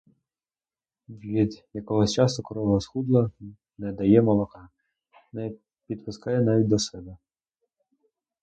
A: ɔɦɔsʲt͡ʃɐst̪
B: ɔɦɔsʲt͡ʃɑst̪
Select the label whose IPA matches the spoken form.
B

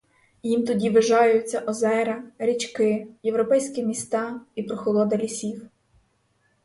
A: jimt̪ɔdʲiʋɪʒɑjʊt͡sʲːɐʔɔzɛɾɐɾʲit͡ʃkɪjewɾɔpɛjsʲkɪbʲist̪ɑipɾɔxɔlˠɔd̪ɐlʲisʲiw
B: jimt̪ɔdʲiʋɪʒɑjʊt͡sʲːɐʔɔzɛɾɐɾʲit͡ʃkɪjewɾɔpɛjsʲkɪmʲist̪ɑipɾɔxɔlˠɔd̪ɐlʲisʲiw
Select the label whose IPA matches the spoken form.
B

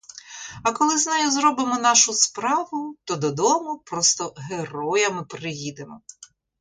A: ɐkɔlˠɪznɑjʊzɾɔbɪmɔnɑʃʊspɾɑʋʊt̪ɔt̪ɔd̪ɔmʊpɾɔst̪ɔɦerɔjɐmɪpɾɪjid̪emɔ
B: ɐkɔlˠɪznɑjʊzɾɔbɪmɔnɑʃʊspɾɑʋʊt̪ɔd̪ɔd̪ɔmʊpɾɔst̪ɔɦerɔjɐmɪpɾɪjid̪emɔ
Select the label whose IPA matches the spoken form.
B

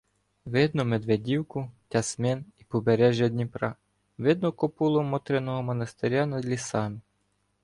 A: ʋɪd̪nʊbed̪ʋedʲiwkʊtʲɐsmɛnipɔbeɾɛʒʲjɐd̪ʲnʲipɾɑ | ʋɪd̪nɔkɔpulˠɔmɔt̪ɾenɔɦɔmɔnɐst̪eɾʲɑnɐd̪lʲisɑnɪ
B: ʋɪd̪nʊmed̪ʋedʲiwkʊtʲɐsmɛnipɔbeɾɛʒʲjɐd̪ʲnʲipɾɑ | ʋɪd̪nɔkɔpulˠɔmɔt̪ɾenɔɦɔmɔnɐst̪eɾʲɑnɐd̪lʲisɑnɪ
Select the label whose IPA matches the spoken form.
B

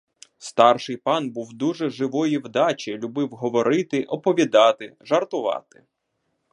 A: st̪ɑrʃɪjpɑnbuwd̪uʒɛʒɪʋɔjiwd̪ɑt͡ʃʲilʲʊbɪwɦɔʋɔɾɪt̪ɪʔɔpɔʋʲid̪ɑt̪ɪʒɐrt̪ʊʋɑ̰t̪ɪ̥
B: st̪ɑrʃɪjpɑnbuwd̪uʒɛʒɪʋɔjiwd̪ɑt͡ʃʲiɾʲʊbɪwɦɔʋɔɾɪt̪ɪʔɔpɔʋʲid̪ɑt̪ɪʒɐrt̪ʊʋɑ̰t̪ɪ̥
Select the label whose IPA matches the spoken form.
A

